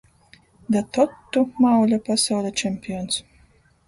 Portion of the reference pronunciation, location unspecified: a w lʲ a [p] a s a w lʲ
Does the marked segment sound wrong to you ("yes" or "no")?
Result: no